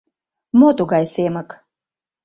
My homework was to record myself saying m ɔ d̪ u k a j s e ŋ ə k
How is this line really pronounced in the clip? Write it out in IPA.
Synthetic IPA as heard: m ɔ t̪ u ɡ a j s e m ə k